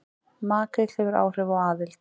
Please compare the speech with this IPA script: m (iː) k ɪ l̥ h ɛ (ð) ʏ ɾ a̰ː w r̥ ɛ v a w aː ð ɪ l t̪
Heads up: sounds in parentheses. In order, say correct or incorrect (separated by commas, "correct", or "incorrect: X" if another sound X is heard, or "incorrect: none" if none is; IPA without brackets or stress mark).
incorrect: aː, incorrect: v